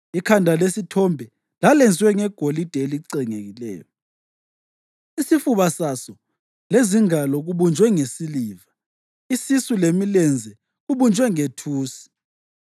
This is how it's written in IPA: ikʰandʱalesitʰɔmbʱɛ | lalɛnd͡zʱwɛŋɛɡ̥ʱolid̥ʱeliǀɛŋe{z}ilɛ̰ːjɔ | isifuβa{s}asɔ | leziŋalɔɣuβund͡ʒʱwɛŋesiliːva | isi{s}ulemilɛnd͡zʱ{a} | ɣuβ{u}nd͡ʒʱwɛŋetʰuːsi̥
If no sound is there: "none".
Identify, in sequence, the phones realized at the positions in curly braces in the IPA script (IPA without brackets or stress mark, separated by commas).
ɣ, s, s, ɛ, u